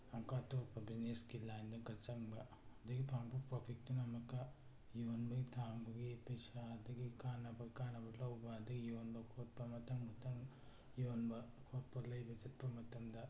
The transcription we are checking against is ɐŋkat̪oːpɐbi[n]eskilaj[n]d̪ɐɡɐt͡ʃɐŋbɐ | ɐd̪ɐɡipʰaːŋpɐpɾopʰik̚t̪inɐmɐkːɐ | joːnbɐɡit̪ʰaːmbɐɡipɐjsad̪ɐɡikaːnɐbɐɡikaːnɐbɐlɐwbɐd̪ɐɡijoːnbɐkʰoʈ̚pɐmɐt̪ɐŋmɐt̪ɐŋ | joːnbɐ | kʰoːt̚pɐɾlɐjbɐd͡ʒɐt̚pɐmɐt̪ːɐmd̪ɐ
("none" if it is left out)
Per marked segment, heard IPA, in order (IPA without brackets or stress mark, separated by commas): n, n